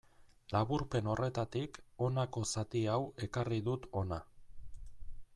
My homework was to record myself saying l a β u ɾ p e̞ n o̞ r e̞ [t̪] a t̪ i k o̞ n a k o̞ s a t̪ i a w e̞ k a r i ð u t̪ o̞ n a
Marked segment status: correct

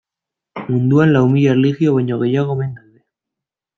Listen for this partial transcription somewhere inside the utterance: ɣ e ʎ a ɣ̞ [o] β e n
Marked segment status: correct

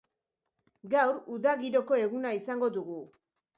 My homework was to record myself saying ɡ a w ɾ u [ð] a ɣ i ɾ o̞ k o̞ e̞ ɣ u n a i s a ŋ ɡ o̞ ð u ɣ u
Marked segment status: correct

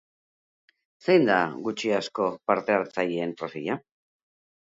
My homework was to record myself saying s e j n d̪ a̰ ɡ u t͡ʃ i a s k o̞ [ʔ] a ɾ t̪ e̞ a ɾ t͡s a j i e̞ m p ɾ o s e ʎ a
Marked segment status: incorrect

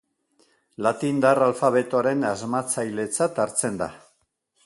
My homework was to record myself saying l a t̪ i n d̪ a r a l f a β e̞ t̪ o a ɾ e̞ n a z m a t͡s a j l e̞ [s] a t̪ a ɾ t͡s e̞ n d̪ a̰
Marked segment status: incorrect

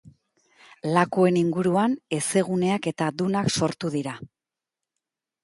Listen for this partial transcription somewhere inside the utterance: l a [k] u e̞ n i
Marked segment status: correct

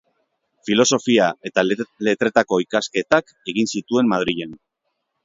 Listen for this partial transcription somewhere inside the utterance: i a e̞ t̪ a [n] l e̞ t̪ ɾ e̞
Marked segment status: incorrect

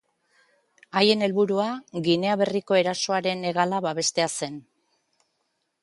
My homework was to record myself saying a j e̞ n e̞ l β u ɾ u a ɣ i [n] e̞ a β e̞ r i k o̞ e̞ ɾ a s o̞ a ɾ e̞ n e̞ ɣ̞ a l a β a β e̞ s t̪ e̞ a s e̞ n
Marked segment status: correct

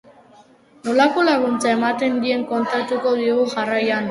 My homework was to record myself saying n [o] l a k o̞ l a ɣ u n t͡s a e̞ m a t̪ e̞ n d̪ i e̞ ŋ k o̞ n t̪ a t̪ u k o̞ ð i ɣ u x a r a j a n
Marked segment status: correct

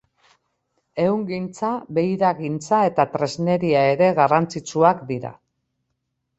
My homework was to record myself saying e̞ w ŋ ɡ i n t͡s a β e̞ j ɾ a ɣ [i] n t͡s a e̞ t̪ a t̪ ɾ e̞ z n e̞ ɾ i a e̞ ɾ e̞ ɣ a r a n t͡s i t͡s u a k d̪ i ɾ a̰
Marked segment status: correct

